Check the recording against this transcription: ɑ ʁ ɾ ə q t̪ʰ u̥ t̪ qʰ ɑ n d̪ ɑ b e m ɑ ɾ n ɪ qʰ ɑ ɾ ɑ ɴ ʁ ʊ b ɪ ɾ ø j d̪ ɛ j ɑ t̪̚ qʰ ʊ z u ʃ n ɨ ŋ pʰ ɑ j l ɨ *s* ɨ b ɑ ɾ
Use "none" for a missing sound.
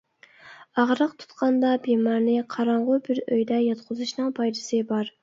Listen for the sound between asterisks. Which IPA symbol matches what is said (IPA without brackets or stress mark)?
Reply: s